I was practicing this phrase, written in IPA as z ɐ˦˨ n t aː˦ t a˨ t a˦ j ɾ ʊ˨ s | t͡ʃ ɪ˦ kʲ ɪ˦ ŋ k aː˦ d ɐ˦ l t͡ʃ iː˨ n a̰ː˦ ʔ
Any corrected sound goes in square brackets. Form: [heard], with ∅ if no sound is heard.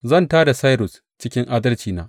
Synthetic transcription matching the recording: z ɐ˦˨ n t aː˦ [d] a˨ [s] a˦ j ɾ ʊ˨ s | t͡ʃ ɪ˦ kʲ ɪ˦ ŋ [ʔ] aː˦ d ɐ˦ l t͡ʃ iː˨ n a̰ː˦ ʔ